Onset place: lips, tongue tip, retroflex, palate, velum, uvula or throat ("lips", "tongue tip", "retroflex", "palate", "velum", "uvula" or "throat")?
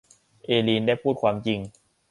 throat